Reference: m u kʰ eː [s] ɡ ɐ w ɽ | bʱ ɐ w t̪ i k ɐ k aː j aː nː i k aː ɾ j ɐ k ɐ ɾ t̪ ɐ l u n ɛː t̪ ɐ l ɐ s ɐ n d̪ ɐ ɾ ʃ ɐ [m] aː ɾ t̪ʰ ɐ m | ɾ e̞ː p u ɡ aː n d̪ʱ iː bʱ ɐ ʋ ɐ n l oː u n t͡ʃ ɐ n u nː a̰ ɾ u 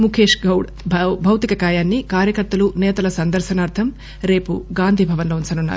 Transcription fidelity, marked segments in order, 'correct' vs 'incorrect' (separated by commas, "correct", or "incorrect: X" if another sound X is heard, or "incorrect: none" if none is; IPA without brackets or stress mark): incorrect: ʂ, incorrect: n